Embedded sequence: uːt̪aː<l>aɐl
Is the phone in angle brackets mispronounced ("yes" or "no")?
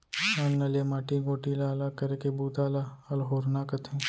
no